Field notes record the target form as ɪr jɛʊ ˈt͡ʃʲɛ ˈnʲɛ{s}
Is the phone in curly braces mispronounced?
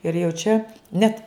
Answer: yes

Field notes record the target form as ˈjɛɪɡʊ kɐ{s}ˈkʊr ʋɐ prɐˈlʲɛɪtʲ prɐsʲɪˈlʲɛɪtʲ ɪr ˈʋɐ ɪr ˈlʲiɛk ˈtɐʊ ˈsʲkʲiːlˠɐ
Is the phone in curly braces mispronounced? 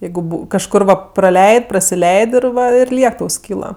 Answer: yes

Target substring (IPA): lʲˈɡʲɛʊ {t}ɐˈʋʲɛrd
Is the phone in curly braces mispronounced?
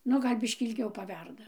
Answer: yes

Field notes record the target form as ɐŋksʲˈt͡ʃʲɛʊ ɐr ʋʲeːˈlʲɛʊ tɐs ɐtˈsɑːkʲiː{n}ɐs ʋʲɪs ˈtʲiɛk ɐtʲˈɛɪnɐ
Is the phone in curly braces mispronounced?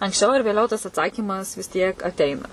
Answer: yes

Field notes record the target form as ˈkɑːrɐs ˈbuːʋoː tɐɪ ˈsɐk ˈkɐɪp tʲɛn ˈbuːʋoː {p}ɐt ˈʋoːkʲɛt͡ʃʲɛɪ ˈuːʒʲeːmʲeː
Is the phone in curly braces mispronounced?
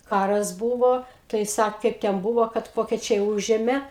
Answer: yes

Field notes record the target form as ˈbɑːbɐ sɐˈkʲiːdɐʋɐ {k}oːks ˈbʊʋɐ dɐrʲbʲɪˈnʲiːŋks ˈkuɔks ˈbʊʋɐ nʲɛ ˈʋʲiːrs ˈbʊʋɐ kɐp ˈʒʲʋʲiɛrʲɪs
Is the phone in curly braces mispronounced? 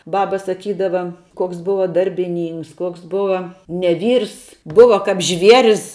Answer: no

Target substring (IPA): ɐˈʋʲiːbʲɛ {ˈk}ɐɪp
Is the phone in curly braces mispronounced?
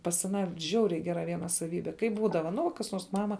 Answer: no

